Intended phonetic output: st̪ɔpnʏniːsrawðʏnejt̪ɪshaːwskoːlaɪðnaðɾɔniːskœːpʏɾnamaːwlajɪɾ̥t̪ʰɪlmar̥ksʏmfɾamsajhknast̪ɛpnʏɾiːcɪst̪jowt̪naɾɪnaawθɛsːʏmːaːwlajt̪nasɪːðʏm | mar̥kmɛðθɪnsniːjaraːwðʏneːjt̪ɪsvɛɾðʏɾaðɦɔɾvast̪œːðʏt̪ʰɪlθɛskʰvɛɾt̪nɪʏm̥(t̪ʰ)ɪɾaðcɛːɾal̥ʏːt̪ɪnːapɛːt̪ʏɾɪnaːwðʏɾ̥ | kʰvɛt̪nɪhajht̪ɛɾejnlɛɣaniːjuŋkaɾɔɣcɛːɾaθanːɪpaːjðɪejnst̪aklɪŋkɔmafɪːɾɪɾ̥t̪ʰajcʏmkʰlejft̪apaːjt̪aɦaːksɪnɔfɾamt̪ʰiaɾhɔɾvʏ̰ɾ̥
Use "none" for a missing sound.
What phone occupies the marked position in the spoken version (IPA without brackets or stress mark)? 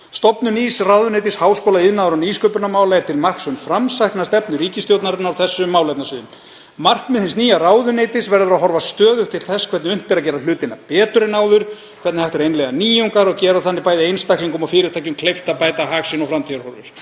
t̪